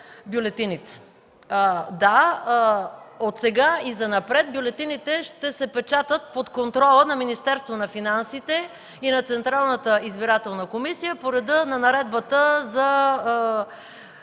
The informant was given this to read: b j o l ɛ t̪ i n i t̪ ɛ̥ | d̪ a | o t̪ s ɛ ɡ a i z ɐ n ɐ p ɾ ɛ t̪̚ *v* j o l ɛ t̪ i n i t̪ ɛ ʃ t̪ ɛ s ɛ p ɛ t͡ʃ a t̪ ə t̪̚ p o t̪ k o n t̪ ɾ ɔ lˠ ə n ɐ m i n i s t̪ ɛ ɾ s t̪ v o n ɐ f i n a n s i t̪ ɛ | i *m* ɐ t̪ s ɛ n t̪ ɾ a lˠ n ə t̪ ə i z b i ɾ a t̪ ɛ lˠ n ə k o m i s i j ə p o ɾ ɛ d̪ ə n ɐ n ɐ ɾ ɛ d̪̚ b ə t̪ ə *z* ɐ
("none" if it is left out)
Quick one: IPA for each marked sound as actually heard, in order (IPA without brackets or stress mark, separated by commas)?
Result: b, n, z